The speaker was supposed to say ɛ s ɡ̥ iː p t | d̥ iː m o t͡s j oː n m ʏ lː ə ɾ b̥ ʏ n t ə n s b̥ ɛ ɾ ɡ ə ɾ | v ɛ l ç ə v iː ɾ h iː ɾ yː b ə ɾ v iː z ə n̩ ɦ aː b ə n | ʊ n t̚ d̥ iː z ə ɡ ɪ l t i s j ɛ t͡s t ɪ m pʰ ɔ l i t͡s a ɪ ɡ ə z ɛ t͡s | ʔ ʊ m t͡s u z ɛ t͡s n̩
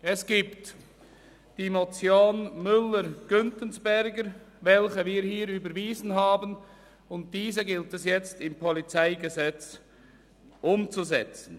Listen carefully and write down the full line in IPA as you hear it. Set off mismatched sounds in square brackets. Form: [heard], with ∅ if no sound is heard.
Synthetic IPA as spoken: ɛ s ɡ̥ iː p t | d̥ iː m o t͡s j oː n m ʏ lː ə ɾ [ɡ̥] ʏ n t ə n s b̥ ɛ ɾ ɡ ə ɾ | v ɛ l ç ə v iː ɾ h iː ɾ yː b ə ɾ v iː z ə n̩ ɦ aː b ə n | ʊ n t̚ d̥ iː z ə ɡ ɪ l t [ɛ] s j ɛ t͡s t ɪ m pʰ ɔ l i t͡s a ɪ ɡ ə z ɛ t͡s | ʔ ʊ m t͡s u z ɛ t͡s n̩